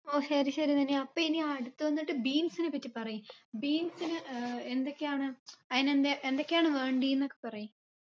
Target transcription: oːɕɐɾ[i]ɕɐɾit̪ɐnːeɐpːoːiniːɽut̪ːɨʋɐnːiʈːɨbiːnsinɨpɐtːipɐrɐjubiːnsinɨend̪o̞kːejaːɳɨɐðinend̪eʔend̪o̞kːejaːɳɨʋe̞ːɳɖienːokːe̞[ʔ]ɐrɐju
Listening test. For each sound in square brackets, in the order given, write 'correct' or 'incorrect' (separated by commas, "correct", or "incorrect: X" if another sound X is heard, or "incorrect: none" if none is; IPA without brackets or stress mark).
correct, incorrect: p